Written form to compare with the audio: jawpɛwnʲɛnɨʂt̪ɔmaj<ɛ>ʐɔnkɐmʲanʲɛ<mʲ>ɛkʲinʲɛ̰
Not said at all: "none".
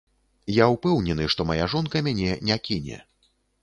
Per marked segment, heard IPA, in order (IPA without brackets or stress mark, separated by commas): a, nʲ